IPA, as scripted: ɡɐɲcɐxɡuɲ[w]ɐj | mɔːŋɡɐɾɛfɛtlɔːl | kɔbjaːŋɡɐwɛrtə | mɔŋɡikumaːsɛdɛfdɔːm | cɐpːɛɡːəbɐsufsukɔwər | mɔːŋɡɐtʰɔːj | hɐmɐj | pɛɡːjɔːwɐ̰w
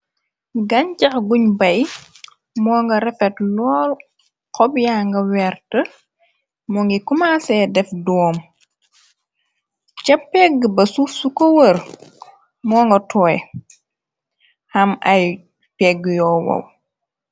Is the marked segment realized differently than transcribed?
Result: yes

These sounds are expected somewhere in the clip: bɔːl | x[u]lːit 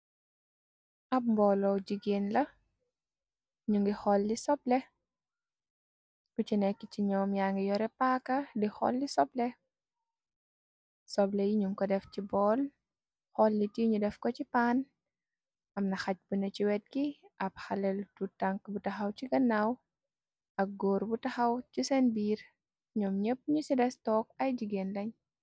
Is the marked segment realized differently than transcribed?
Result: yes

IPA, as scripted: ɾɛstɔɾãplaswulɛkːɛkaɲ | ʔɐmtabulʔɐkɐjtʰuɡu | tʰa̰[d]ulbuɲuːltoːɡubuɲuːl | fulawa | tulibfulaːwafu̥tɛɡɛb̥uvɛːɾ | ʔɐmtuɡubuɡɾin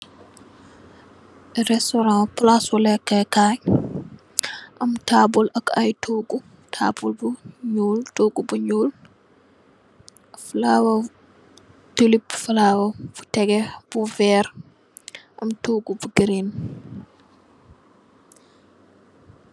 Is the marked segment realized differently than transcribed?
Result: yes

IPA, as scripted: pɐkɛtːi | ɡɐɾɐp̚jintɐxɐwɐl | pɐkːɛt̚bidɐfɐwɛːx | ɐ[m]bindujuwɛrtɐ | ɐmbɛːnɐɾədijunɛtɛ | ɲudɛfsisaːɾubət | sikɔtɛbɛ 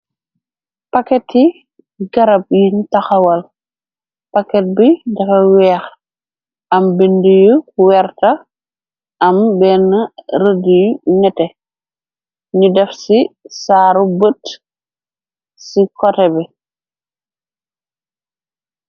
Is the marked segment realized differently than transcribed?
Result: no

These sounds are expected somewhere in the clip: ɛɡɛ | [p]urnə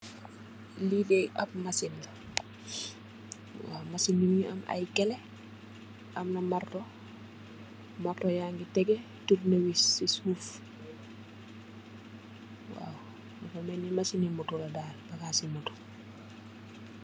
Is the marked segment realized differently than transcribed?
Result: yes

